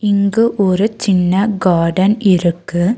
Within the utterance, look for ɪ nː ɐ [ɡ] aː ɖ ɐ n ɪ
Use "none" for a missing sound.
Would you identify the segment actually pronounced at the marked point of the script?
ɡ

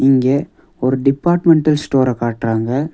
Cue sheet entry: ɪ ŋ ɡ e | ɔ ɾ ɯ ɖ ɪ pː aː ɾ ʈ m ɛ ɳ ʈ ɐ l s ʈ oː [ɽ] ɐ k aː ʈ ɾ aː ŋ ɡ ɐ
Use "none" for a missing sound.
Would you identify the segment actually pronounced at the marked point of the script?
ɾ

